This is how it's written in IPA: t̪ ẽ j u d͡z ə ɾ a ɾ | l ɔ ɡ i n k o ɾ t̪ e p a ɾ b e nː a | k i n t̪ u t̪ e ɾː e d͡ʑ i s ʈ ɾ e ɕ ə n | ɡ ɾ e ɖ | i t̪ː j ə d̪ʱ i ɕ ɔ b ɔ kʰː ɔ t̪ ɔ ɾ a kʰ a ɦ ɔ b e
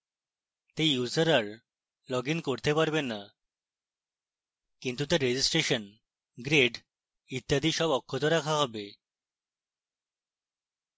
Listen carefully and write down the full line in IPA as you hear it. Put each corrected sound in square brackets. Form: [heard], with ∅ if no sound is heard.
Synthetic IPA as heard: t̪ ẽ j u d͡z ə ɾ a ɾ | l ɔ ɡ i n k o ɾ t̪ e p a ɾ b e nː a | k i n t̪ u t̪ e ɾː e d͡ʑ i s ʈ ɾ e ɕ ə n | ɡ ɾ e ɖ | i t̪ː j [a] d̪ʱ i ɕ ɔ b ɔ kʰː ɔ t̪ ɔ ɾ a kʰ a ɦ ɔ b e